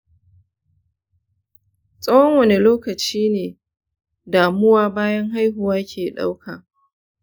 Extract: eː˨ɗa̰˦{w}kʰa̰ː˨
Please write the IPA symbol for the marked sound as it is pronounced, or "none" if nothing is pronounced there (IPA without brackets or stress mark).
w